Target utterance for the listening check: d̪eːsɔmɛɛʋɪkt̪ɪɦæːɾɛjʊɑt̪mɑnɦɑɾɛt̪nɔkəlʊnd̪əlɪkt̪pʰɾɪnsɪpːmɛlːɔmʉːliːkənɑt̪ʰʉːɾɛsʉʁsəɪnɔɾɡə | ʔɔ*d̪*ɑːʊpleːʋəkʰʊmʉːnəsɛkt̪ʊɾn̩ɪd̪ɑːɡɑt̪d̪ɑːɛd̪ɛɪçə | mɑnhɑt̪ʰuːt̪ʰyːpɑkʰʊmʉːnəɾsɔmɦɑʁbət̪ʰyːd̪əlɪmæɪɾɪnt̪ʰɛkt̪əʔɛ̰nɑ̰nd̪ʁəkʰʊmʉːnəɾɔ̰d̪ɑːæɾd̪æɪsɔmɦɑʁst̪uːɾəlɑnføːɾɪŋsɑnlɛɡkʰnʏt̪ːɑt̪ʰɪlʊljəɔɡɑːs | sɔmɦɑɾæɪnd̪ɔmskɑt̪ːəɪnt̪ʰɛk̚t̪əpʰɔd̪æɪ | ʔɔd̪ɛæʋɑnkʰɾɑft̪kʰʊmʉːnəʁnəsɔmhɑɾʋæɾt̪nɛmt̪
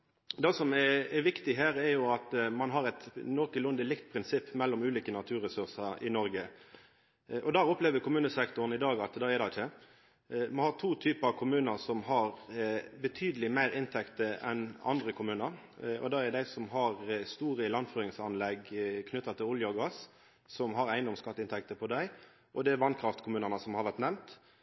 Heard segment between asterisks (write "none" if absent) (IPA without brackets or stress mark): d̪